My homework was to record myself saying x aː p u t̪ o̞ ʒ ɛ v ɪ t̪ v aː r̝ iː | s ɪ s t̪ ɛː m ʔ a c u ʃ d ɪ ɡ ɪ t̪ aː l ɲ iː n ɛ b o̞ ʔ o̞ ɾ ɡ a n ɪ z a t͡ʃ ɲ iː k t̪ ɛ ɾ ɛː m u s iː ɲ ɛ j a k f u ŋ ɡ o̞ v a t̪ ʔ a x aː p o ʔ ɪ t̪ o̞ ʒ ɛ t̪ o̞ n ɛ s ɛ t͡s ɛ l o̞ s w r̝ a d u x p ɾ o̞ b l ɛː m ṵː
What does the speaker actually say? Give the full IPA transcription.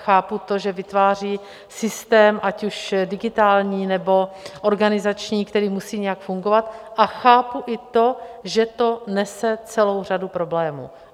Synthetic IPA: x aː p u t̪ o̞ ʒ ɛ v ɪ t̪ v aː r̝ iː | s ɪ s t̪ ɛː m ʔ a c u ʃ d ɪ ɡ ɪ t̪ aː l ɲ iː n ɛ b o̞ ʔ o̞ ɾ ɡ a n ɪ z a t͡ʃ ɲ iː k t̪ ɛ ɾ iː m u s iː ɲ ɛ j a k f u ŋ ɡ o̞ v a t̪ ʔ a x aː p u ʔ ɪ t̪ o̞ ʒ ɛ t̪ o̞ n ɛ s ɛ t͡s ɛ l o̞ w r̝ a d u p ɾ o̞ b l ɛː m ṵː